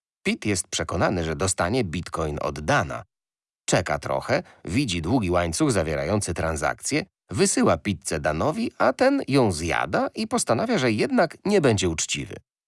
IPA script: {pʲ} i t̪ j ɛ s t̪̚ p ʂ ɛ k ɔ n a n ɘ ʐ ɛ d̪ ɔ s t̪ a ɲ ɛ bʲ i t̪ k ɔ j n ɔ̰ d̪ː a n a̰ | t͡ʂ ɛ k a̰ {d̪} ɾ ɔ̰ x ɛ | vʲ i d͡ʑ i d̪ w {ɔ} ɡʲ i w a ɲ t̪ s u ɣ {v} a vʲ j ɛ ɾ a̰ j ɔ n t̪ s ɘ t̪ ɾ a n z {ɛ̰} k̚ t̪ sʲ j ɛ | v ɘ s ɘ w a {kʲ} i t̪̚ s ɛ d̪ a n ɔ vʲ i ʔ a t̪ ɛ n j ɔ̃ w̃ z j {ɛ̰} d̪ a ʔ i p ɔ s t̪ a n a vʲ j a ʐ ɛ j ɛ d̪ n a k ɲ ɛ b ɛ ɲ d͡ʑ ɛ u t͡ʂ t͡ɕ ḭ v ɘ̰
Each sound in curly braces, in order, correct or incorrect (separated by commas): correct, incorrect, incorrect, incorrect, incorrect, incorrect, incorrect